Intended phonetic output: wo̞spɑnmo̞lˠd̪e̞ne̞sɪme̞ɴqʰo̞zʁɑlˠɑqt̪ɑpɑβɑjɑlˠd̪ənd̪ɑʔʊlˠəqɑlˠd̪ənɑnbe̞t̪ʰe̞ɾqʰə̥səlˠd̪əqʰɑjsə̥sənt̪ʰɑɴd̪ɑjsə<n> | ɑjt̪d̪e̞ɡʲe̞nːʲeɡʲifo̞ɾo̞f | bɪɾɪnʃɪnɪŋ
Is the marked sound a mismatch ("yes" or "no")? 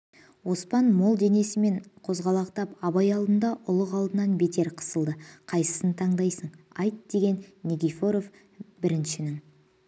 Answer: yes